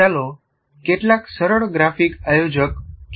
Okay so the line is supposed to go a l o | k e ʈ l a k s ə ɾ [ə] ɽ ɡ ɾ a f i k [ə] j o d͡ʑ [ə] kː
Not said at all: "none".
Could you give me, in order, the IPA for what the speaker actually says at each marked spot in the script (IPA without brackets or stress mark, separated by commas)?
ə, a, ə